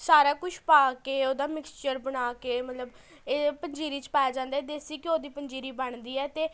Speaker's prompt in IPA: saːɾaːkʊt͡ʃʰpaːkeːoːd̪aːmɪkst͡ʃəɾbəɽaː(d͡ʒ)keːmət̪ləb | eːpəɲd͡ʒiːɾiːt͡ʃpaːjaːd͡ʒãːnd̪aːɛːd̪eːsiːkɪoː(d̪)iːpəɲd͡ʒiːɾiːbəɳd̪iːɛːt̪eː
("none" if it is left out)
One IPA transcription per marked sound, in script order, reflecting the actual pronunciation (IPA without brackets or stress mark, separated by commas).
none, d̪